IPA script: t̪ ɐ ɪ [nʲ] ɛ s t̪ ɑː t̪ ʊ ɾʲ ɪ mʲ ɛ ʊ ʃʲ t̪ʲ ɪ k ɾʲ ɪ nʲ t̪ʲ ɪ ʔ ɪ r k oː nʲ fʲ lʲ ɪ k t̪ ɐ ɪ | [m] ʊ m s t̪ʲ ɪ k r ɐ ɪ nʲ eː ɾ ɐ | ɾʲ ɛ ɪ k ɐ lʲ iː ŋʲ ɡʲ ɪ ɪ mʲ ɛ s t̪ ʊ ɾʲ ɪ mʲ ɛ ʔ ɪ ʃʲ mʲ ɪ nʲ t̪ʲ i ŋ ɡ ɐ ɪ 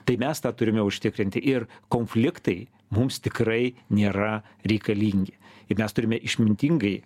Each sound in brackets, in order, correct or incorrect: incorrect, correct

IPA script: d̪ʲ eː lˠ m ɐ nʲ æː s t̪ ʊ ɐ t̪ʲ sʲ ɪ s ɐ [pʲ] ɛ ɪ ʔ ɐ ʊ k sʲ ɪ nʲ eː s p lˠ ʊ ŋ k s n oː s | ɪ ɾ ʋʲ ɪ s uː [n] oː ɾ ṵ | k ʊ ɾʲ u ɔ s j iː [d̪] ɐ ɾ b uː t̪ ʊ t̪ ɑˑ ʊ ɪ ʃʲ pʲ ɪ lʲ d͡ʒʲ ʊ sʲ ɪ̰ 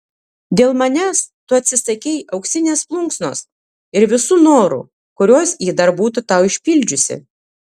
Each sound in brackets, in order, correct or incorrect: incorrect, correct, correct

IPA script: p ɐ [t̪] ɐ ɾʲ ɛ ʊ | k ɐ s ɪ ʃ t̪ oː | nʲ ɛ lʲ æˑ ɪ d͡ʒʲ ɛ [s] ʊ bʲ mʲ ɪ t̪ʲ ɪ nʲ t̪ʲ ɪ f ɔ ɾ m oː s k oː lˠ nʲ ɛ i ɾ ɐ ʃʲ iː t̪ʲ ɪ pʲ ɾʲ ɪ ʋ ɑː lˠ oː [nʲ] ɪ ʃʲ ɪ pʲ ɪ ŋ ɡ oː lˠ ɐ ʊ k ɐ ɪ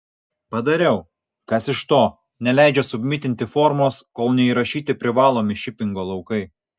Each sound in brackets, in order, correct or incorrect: incorrect, correct, incorrect

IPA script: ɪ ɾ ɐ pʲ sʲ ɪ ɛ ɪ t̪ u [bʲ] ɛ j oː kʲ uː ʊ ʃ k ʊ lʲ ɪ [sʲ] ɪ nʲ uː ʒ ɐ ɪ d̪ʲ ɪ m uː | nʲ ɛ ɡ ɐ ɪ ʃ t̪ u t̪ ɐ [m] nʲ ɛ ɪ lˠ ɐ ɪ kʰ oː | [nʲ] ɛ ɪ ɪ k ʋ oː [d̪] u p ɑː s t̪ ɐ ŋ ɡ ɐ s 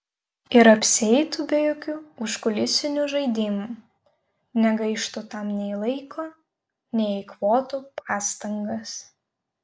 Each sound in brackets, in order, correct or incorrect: correct, correct, correct, correct, incorrect

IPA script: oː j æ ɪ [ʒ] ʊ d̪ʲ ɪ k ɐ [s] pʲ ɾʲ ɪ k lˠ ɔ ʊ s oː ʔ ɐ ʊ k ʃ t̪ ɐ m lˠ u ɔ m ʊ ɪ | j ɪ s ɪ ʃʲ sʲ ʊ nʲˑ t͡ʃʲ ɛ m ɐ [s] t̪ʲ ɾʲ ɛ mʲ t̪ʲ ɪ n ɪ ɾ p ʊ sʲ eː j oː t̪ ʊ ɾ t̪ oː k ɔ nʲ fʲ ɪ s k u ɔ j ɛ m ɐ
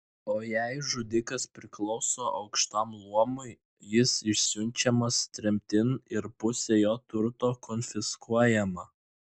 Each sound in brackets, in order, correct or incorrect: correct, correct, correct

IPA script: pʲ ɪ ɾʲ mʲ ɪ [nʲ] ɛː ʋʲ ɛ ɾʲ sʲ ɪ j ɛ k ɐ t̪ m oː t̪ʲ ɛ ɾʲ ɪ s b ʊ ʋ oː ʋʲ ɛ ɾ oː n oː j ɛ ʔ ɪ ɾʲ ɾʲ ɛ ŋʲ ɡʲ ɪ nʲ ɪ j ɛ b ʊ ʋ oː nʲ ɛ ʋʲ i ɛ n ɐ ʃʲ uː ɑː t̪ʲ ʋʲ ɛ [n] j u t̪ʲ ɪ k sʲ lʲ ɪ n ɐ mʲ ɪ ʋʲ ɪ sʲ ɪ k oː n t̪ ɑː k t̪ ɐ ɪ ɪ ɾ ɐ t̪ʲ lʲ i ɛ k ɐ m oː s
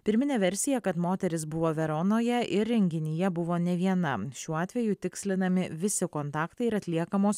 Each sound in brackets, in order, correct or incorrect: correct, incorrect

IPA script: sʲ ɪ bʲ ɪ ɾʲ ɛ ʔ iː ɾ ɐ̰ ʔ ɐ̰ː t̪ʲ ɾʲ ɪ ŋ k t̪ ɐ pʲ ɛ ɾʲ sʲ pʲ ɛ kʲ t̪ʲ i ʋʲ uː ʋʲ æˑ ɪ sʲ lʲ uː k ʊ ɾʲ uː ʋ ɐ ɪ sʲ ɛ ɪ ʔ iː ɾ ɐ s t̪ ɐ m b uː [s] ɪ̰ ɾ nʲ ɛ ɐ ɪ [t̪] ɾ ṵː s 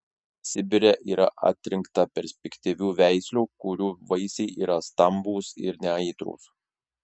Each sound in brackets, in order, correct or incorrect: correct, correct

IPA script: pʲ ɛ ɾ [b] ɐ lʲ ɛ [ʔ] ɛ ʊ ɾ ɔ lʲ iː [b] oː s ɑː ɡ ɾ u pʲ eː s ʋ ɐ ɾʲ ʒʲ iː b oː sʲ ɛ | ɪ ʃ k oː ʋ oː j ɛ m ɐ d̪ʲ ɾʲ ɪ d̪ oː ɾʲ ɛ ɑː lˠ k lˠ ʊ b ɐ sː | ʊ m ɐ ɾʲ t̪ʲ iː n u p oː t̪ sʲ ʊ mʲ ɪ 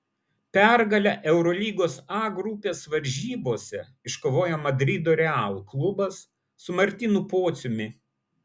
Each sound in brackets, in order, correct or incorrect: incorrect, correct, incorrect

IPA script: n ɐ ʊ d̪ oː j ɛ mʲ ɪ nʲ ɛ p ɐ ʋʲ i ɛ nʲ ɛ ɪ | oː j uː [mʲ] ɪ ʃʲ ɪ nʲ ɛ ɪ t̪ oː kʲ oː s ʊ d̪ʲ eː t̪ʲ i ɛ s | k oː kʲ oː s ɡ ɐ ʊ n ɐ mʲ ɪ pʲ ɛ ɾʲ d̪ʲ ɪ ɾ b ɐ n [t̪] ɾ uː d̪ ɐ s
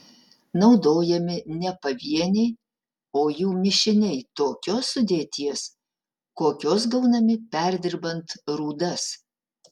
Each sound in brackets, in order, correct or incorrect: correct, correct

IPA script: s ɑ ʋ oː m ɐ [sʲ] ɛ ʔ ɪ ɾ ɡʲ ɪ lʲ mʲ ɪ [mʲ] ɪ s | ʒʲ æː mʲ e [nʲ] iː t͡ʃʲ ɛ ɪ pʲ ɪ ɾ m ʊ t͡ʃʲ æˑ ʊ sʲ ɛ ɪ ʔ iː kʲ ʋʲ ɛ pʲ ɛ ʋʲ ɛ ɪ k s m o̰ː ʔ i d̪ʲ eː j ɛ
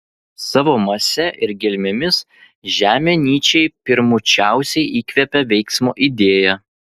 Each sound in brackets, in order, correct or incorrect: correct, correct, correct

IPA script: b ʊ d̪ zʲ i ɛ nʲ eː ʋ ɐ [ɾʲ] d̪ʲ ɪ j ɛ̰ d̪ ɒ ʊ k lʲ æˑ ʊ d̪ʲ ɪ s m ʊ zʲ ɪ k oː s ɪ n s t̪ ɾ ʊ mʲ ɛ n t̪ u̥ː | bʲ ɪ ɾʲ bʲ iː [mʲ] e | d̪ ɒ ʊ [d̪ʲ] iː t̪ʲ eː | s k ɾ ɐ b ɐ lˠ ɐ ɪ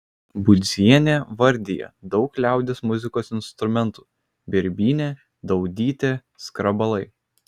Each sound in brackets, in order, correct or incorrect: correct, incorrect, correct

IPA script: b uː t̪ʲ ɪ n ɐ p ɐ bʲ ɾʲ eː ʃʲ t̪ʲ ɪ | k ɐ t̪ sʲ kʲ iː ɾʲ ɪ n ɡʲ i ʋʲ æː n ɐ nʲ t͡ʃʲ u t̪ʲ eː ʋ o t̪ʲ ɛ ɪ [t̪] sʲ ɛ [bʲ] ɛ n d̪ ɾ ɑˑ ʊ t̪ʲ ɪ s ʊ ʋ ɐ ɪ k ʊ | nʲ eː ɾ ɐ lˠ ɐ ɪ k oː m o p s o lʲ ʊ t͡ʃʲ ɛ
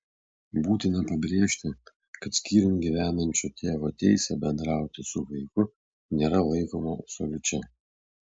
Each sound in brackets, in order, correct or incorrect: incorrect, correct

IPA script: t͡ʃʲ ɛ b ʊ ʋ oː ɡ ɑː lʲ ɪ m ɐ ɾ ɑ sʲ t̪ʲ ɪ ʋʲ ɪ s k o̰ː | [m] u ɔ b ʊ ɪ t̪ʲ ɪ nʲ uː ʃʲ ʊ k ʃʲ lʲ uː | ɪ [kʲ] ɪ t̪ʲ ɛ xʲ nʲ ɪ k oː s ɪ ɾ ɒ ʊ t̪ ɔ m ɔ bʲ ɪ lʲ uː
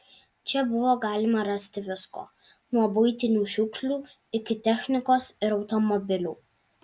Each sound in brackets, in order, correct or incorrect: incorrect, correct

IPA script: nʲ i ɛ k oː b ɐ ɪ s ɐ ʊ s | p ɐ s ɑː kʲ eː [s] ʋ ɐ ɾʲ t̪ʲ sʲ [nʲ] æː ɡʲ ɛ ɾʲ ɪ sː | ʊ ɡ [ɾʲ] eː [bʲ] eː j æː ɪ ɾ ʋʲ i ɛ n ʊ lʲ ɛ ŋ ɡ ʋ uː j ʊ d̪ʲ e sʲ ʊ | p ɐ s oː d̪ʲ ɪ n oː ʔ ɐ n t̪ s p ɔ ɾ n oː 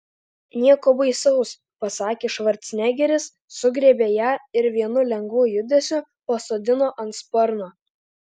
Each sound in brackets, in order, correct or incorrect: incorrect, correct, correct, correct

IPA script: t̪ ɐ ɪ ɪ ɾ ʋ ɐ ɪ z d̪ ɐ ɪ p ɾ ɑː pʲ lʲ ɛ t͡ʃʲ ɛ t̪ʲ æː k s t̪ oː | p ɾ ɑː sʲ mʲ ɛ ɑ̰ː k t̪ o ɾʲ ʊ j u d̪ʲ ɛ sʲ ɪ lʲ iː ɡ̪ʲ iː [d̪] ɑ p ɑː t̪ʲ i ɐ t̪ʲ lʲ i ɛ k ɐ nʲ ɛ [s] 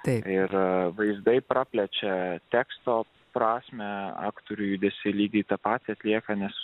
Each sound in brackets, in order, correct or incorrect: incorrect, correct

